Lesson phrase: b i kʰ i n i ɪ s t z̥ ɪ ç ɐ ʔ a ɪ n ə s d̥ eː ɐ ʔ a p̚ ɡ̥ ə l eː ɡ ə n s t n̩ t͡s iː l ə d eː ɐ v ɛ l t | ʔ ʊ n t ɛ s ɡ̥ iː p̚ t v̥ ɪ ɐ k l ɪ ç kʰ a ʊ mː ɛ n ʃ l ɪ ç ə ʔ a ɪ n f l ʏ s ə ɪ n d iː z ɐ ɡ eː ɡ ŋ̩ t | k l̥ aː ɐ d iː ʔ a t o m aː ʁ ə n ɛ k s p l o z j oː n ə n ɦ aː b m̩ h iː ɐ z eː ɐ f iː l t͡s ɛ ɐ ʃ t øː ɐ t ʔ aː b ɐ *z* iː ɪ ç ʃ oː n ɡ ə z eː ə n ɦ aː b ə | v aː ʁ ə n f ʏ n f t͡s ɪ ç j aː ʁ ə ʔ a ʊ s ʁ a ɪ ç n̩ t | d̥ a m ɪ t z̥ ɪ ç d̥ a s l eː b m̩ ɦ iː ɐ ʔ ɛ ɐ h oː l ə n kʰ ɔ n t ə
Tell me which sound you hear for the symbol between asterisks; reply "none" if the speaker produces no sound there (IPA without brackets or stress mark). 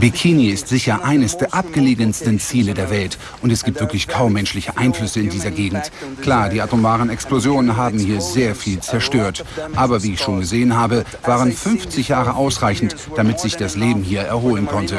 v